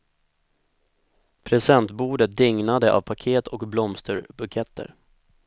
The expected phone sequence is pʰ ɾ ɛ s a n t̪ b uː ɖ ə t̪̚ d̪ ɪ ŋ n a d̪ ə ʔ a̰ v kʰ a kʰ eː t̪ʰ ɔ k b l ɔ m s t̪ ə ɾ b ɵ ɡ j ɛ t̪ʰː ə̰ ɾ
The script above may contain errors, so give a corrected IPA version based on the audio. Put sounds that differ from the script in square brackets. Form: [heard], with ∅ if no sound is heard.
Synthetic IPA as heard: pʰ ɾ ɛ s [ɛ] n t̪ b uː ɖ ə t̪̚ d̪ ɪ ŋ n a d̪ ə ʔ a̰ v [pʰ] a kʰ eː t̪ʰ ɔ k b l ɔ m s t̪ ə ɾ b ɵ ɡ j ɛ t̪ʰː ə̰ ɾ